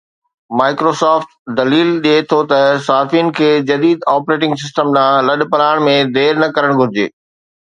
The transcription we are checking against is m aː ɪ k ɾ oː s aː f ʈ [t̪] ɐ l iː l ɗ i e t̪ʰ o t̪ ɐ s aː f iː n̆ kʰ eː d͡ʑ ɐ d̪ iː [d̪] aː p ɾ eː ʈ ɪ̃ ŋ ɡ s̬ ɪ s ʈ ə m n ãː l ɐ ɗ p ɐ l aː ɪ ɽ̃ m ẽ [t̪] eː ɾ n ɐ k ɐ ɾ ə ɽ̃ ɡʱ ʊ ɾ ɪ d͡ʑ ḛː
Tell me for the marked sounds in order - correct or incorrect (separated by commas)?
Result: incorrect, correct, incorrect